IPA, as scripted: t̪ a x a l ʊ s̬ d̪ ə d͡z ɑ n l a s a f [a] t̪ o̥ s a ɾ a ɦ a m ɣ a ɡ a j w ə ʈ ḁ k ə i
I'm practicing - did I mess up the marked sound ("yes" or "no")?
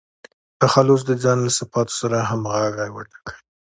yes